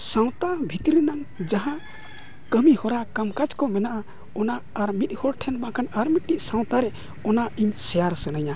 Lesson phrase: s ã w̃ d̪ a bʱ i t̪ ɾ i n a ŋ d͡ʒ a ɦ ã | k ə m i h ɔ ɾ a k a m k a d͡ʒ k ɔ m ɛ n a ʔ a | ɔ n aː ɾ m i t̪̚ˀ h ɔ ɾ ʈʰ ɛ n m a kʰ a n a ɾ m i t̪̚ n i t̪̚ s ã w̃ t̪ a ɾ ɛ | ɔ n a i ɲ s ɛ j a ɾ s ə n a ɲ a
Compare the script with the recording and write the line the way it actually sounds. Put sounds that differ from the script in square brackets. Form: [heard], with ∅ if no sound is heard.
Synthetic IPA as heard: s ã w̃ [t̪] a bʱ i t̪ ɾ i n a ŋ d͡ʒ a ɦ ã | k ə m i h ɔ ɾ a k a m k a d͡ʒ k ɔ m ɛ n a ʔ a | ɔ n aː ɾ m i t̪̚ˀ h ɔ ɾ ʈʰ ɛ n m a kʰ a n a ɾ m i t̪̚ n i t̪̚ s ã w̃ t̪ a ɾ ɛ | ɔ n a i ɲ s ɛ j a ɾ s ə n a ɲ a